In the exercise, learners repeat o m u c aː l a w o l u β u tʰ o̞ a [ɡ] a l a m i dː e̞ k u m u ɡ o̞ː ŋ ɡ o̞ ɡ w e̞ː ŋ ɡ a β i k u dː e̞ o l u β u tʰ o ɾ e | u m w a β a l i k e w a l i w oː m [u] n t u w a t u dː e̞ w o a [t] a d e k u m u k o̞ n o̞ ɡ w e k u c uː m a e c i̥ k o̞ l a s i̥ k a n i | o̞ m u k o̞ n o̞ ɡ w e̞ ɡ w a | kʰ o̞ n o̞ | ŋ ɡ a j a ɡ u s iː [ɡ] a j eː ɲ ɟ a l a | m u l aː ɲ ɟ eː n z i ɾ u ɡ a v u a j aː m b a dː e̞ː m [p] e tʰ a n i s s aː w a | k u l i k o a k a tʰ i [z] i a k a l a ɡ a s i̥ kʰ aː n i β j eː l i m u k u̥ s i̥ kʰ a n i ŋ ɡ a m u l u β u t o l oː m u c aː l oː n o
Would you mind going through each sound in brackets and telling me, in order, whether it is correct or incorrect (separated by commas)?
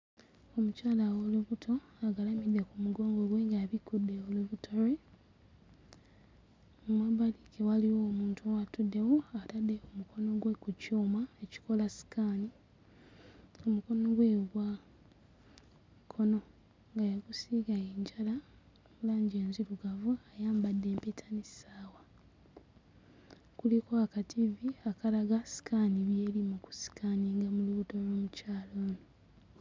correct, incorrect, correct, correct, correct, incorrect